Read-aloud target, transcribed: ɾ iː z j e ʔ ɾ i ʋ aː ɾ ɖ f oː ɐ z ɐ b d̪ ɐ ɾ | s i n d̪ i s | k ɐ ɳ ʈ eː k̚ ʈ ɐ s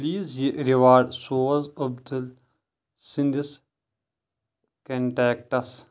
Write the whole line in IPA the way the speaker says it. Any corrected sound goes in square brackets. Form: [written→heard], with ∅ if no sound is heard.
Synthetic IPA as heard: [ɾ→l] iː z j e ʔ ɾ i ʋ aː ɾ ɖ [f→s] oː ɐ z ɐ b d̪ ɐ [ɾ→l] | s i n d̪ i s | k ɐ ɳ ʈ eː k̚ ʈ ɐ s